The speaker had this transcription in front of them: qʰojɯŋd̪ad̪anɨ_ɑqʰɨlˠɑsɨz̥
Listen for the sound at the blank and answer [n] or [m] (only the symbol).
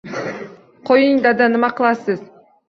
m